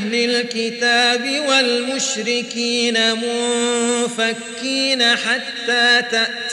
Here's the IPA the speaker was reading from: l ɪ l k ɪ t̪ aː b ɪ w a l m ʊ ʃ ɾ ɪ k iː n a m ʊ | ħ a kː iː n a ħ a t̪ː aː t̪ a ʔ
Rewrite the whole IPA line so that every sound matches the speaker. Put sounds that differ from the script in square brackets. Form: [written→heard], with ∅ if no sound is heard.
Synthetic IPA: l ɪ l k ɪ t̪ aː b ɪ w a l m ʊ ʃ ɾ ɪ k iː n a m ʊ | [ħ→f] a kː iː n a ħ a t̪ː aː t̪ a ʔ